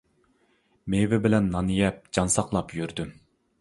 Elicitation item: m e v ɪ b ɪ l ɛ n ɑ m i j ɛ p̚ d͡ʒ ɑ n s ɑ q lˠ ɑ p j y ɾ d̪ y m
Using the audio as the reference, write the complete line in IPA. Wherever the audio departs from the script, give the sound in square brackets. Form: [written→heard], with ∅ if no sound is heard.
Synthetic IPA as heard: m e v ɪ b ɪ l ɛ [n→nː] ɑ [m→n] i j ɛ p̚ d͡ʒ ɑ n s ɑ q lˠ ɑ p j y ɾ d̪ y m